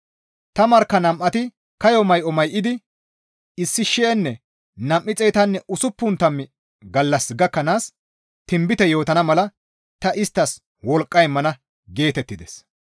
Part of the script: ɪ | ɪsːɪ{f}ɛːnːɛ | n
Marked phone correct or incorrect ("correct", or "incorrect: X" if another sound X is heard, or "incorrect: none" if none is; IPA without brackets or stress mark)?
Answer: incorrect: ʃ